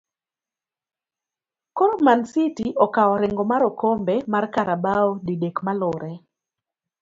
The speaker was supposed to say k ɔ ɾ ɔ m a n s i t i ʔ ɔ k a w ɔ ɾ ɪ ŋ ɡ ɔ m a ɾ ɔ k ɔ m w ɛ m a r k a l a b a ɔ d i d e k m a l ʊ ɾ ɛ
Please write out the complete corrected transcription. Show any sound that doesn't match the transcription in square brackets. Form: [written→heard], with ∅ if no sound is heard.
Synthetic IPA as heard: k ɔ ɾ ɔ m a n s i t i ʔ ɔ k a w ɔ ɾ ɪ ŋ ɡ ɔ m a ɾ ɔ k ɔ m [w→b] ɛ m a r k a [l→ɾ] a b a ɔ d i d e k m a l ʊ ɾ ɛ